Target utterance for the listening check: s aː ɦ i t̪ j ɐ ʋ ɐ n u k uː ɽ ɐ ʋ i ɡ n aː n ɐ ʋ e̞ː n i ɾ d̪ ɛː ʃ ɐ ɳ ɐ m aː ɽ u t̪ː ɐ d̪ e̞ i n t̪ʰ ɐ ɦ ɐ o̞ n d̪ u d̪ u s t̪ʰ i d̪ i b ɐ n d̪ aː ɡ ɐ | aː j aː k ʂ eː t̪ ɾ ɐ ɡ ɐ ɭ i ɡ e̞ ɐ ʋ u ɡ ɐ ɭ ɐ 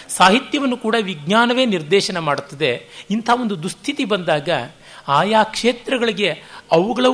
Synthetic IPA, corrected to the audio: s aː ɦ i t̪ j ɐ ʋ ɐ nː u k uː ɽ ɐ ʋ i ɡ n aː n ɐ ʋ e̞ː n i ɾ d̪ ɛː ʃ ɐ n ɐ m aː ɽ u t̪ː ɐ d̪ e̞ i n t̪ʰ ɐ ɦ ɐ o̞ n d̪ u d̪ u s t̪ʰ i t̪ i b ɐ n d̪ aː ɡ ɐ | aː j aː k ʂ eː t̪ ɾ ɐ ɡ ɐ ɭ i ɡ e̞ ɐ ʋ u ɡ ɐ ɭ ɐ